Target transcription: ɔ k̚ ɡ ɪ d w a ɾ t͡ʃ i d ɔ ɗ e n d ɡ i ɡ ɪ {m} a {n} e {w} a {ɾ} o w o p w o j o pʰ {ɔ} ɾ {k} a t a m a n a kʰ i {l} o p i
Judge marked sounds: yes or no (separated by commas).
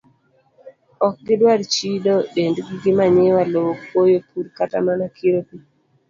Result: yes, no, yes, no, no, yes, no